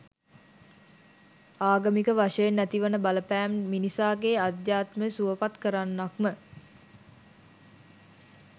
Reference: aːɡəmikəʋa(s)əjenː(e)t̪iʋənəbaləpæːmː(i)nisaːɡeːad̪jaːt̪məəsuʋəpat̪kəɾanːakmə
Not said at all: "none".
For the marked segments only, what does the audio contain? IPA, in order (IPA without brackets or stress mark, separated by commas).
ʂ, æ, i